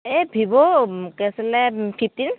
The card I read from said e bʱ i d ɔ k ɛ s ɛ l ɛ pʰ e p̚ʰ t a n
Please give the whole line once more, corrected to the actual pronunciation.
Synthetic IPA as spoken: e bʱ i b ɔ k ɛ s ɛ l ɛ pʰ i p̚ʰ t i n